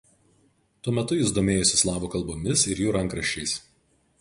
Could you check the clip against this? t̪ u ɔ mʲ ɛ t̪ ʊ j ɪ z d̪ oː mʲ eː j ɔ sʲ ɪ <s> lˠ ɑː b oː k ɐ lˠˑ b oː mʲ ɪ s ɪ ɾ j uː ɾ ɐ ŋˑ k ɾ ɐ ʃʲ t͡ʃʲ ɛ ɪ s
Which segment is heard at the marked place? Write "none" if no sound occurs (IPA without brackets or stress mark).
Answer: s